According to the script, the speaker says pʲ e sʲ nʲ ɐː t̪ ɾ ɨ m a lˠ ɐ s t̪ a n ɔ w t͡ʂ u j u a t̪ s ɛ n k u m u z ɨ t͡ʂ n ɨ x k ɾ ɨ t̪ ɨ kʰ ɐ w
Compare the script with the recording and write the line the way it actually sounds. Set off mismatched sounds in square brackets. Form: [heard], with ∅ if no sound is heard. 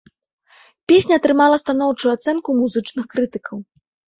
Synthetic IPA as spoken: pʲ e sʲ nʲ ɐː t̪ ɾ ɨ m a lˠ ɐ s t̪ a n ɔ w t͡ʂ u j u a t̪ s ɛ n k u m u z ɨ t͡ʂ n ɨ x k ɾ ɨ t̪ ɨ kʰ ɐ w